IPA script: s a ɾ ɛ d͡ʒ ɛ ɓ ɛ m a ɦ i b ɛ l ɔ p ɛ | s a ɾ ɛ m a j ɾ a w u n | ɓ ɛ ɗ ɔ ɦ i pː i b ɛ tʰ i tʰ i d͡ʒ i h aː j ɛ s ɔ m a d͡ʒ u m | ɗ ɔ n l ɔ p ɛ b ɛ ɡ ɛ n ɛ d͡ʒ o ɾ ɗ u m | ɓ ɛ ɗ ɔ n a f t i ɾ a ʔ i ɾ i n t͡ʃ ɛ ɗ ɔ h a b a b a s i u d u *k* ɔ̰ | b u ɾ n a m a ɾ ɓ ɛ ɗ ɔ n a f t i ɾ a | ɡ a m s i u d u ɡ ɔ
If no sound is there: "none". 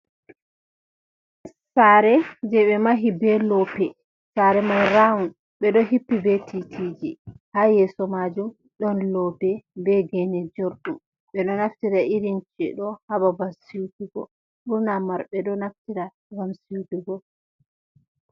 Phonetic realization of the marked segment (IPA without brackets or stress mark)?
ɡ